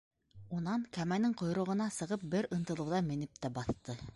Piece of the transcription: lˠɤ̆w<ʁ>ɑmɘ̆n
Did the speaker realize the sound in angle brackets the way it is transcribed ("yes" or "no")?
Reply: no